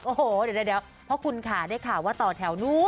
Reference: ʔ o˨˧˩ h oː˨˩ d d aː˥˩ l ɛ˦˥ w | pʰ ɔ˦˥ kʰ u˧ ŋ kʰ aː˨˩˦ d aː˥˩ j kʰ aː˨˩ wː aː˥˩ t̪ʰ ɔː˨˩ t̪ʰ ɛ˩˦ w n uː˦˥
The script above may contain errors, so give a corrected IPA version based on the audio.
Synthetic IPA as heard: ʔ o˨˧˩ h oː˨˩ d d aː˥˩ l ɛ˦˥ w | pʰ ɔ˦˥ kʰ u˧ n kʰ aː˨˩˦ d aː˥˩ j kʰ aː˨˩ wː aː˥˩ t̪ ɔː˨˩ t̪ʰ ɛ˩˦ w n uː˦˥